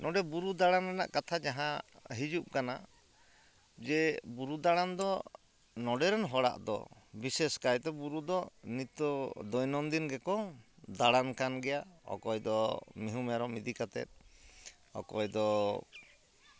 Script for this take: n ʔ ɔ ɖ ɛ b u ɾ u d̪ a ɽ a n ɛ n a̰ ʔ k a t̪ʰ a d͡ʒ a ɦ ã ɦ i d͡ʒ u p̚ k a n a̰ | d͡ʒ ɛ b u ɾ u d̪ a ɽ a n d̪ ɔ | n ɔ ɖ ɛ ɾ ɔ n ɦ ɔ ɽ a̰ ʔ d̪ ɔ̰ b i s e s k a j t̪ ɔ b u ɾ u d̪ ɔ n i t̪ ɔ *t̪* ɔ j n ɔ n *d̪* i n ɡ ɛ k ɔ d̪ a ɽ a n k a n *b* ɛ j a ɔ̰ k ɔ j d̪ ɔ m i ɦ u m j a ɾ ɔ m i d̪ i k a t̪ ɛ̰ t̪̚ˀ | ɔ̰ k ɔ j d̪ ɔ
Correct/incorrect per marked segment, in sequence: incorrect: d̪, correct, incorrect: ɡ

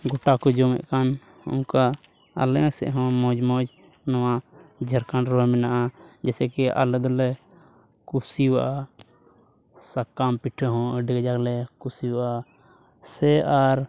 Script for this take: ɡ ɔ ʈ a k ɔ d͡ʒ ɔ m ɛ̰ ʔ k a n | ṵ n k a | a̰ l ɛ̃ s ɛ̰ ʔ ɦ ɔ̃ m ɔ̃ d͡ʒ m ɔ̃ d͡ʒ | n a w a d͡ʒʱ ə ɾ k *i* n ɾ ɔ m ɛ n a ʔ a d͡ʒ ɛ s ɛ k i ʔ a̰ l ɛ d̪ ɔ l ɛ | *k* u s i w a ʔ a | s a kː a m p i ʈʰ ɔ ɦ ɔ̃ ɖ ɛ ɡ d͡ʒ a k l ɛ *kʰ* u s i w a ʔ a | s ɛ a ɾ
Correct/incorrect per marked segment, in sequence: incorrect: a, correct, incorrect: k

